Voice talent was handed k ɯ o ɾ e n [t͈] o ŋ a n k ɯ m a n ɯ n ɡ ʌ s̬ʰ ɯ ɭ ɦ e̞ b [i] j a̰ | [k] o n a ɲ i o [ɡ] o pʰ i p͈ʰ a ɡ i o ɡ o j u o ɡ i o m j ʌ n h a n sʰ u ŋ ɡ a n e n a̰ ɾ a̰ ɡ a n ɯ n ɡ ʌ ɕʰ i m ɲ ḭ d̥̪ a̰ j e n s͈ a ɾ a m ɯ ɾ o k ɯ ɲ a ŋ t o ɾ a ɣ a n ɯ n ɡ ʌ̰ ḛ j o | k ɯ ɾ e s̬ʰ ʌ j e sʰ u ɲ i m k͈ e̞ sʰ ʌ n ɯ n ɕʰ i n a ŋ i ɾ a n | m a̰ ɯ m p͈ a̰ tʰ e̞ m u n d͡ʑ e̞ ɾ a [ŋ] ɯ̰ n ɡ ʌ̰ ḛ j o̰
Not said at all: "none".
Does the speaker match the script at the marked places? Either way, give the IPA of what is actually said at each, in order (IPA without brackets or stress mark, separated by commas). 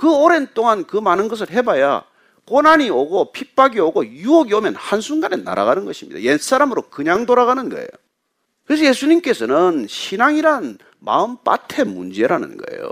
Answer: t͈, a, k, ɡ, n